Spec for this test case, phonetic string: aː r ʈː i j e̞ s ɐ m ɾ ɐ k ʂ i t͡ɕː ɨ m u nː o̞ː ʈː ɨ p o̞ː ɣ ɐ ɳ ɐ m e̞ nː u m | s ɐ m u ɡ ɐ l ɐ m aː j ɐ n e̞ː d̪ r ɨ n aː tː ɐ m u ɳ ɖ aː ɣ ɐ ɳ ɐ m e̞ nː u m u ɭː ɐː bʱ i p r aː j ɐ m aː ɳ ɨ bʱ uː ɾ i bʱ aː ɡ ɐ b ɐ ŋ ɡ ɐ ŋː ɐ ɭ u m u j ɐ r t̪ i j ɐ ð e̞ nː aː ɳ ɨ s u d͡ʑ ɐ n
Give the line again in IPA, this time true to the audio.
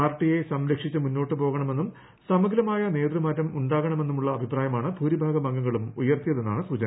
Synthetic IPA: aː r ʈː i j e̞ s ɐ m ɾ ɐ k ʂ i t͡ɕː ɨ m u nː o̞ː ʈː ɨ p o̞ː ɣ ɐ ɳ ɐ m e̞ nː u m | s ɐ m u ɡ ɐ l ɐ m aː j ɐ n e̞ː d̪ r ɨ m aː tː ɐ m u ɳ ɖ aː ɣ ɐ ɳ ɐ m e̞ nː u m u ɭː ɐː bʱ i p r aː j ɐ m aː ɳ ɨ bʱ uː ɾ i bʱ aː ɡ ɐ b ɐ ŋ ɡ ɐ ŋː ɐ ɭ u m u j ɐ r t̪ i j ɐ ð e̞ nː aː ɳ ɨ s u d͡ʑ ɐ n